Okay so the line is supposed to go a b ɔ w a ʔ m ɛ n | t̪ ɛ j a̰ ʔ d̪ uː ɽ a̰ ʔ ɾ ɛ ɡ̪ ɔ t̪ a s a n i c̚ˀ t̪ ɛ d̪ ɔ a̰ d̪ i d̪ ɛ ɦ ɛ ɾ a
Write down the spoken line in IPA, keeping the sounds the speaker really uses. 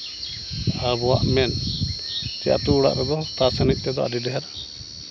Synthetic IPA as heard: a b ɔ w a ʔ m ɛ n | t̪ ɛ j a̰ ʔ t̪ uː ɽ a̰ ʔ ɾ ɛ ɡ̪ ɔ t̪ a s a n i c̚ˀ t̪ ɛ d̪ ɔ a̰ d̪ i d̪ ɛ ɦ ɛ ɾ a